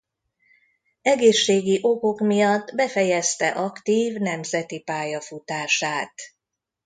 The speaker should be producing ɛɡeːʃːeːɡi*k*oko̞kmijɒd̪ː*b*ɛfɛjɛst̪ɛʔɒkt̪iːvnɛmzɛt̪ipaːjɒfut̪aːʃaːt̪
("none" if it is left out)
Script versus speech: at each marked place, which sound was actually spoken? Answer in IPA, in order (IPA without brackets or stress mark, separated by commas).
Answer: ʔ, b